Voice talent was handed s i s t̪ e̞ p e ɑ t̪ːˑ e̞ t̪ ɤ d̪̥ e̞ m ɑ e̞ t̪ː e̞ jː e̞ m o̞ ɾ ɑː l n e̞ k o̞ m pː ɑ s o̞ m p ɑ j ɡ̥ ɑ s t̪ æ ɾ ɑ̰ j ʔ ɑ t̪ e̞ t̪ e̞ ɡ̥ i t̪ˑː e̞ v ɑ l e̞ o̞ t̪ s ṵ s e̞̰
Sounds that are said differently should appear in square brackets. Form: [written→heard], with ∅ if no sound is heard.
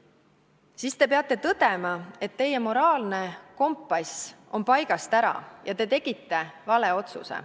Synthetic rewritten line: s i s t̪ e̞ p e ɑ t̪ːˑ e̞ t̪ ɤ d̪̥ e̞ m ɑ e̞ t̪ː e̞ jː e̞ m o̞ ɾ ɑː l n e̞ k o̞ m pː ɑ s o̞ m p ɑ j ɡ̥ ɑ s t̪ æ ɾ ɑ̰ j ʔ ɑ t̪ e̞ t̪ e̞ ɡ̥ i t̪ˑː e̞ v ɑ l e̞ o̞ t̪ s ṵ s e̞̰